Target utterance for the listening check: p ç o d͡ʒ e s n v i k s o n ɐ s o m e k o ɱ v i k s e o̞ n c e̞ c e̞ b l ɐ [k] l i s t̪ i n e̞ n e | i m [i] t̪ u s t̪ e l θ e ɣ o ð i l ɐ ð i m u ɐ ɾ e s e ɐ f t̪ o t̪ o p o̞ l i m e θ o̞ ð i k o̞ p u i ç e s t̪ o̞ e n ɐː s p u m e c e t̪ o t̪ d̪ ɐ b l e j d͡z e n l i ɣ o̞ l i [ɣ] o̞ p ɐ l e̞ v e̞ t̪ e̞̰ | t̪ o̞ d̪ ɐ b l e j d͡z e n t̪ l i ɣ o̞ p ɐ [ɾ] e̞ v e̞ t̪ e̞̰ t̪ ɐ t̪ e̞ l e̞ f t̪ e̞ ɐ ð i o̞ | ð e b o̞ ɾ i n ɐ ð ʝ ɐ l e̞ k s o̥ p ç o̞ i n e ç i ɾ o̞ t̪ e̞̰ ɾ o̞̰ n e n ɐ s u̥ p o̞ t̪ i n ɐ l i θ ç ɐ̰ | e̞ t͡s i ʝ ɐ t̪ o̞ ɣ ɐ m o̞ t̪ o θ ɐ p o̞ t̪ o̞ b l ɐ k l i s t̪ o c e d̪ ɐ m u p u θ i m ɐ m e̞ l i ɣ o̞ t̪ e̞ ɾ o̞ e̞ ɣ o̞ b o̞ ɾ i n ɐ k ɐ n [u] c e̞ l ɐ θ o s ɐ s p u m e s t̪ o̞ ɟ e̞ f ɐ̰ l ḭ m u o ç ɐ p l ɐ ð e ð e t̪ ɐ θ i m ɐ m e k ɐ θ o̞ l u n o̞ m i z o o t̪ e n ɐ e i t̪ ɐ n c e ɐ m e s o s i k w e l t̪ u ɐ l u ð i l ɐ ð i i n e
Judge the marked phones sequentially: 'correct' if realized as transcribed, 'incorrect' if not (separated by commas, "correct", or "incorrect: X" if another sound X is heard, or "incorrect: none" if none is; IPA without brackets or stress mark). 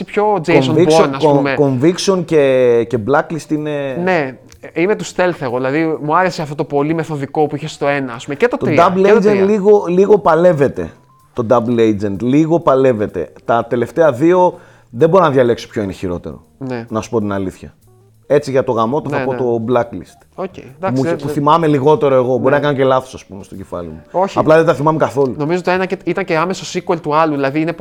correct, incorrect: e, correct, incorrect: l, incorrect: o